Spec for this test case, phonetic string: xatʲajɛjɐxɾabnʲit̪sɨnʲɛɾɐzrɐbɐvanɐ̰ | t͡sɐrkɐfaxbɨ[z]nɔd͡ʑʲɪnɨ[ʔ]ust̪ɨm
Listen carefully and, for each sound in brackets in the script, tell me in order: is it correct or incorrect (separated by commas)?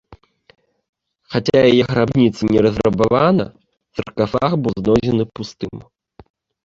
correct, incorrect